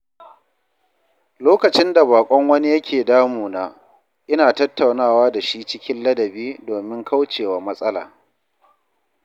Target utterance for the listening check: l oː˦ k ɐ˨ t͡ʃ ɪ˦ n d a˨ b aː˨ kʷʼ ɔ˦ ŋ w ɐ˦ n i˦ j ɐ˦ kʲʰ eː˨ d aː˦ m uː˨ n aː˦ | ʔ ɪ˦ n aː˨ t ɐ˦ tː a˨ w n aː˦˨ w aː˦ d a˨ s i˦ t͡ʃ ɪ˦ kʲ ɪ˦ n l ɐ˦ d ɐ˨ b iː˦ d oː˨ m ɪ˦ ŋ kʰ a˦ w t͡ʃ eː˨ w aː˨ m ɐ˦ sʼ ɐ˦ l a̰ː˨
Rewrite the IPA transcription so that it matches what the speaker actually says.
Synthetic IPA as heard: l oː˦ k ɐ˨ t͡ʃ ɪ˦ n d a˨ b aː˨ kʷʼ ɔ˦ ŋ w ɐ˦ n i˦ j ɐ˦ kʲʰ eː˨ d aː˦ m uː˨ n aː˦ | ʔ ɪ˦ n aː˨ t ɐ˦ tː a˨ w n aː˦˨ w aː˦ d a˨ ʃ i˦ t͡ʃ ɪ˦ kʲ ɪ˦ n l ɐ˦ d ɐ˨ b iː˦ d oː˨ m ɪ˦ ŋ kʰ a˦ w t͡ʃ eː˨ w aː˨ m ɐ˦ sʼ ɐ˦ l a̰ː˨